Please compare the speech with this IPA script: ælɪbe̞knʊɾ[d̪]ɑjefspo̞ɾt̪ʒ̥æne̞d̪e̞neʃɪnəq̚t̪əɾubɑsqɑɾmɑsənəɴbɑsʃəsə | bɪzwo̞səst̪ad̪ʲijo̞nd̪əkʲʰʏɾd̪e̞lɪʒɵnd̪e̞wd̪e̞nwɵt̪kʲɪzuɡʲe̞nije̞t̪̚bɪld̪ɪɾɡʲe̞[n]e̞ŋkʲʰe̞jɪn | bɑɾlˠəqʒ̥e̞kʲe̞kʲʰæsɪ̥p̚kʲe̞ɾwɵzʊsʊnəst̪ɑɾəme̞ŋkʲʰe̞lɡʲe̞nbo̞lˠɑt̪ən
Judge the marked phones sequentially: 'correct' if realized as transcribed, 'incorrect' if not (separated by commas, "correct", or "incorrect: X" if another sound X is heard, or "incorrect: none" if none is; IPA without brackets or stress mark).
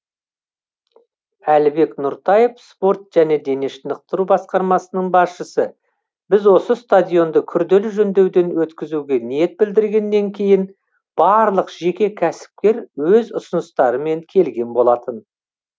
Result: incorrect: t̪, incorrect: nː